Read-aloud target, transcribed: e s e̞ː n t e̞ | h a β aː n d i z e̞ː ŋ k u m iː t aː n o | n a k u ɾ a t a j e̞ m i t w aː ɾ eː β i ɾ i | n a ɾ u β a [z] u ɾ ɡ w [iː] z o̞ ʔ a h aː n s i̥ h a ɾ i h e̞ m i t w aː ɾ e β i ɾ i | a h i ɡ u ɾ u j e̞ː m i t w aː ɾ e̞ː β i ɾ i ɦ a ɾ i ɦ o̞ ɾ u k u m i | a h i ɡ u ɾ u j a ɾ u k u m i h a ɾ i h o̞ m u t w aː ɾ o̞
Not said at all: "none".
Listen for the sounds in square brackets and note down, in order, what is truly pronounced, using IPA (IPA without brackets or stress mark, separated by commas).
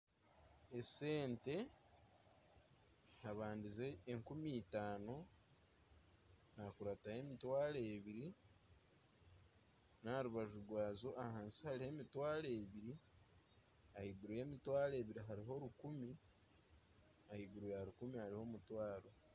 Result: ʒ, aː